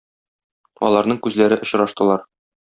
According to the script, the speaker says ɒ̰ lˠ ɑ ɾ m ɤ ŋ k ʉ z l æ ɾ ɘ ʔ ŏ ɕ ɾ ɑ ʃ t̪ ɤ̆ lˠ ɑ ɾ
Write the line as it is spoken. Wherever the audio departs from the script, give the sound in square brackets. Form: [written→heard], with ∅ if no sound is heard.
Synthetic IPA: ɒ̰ lˠ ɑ ɾ [m→n] ɤ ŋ k ʉ z l æ ɾ ɘ ʔ ŏ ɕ ɾ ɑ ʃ t̪ ɤ̆ lˠ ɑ ɾ